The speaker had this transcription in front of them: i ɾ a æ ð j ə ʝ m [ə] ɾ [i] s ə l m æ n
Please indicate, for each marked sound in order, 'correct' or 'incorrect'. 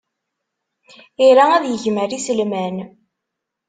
correct, correct

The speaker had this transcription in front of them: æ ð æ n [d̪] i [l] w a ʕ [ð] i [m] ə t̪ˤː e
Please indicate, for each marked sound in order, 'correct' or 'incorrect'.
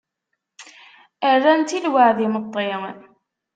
incorrect, correct, correct, correct

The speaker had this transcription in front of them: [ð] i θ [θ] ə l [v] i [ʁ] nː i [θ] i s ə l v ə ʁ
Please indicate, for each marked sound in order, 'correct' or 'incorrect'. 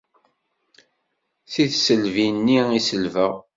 incorrect, incorrect, correct, incorrect, incorrect

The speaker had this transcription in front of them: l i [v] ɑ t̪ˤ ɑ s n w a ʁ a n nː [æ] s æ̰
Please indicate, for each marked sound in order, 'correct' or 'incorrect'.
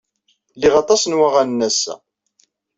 incorrect, correct

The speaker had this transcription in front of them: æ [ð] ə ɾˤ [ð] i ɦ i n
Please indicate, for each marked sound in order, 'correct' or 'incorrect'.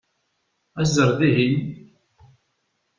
incorrect, correct

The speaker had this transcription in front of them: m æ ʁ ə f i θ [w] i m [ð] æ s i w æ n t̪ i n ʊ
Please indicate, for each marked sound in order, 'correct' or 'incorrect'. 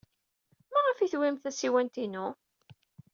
correct, incorrect

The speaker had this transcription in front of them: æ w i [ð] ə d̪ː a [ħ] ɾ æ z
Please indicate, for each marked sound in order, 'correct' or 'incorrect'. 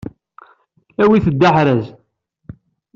incorrect, correct

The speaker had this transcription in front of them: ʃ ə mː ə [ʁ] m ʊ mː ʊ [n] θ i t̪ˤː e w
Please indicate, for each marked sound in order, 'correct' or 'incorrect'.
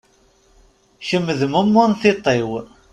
incorrect, correct

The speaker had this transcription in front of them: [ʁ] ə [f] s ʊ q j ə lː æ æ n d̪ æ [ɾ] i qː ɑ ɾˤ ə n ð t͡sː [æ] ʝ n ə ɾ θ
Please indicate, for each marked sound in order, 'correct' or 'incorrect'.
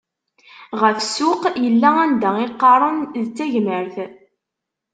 correct, correct, incorrect, correct

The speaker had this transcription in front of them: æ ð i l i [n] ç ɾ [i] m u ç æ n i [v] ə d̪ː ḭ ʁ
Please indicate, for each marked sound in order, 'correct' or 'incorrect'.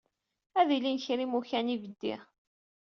correct, correct, correct

